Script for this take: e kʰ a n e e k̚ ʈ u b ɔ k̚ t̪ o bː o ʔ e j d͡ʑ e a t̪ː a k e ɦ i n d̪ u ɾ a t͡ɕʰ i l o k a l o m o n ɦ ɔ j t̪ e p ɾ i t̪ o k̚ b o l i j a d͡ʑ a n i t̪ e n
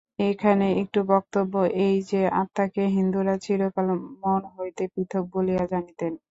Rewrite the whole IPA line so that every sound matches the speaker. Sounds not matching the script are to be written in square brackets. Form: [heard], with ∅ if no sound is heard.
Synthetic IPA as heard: e kʰ a n e e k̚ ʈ u b ɔ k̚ t̪ o bː o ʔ e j d͡ʑ e a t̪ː a k e ɦ i n d̪ u ɾ a t͡ɕʰ i l o k a l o m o n ɦ [o] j t̪ e p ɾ i [t̪ʰ] o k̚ b o l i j a d͡ʑ a n i t̪ e n